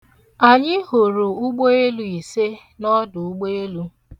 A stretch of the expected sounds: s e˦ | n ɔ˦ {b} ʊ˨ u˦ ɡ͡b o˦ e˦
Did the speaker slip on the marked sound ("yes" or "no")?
yes